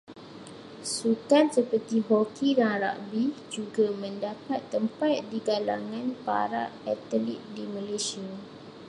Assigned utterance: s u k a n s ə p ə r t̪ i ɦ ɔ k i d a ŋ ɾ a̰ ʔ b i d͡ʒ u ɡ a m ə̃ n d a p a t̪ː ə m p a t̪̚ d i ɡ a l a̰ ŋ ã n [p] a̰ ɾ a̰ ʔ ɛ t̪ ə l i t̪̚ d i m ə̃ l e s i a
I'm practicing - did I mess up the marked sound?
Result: no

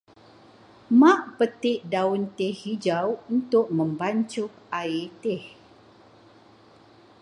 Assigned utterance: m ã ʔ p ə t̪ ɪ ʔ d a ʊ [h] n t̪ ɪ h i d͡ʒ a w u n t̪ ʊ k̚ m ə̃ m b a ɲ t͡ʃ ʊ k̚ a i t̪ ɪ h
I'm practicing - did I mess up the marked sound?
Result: yes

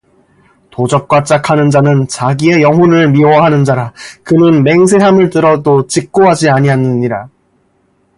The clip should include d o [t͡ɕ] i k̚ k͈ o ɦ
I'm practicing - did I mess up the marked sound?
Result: no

